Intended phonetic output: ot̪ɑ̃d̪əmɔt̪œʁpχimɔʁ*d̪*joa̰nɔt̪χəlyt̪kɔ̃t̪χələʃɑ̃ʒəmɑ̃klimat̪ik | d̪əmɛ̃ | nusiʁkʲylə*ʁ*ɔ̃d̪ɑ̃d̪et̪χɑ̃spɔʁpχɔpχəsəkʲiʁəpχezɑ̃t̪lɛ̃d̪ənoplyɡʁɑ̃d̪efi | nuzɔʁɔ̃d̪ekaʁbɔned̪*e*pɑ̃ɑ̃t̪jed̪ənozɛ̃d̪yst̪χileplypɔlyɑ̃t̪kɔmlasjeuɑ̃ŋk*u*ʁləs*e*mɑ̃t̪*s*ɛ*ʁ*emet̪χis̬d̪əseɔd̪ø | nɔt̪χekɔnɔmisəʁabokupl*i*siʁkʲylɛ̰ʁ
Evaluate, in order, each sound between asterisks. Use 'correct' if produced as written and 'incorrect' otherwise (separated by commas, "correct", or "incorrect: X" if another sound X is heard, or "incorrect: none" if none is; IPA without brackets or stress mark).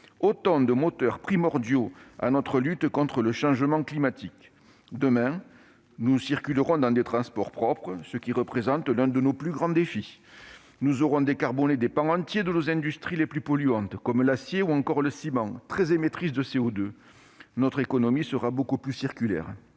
correct, correct, correct, incorrect: ɔ, incorrect: i, incorrect: χ, incorrect: z, incorrect: y